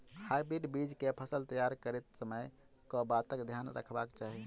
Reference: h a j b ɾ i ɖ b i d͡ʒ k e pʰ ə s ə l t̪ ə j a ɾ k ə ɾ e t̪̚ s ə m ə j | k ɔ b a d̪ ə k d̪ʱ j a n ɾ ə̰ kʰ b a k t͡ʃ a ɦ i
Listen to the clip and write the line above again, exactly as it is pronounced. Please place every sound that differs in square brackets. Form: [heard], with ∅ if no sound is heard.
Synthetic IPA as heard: h a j b ɾ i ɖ b i d͡ʒ k e pʰ ə s ə l t̪ ə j a ɾ k ə ɾ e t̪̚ s ə m ə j | k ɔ b a [t̪] ə k d̪ʱ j a n ɾ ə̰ kʰ b a k t͡ʃ a ɦ i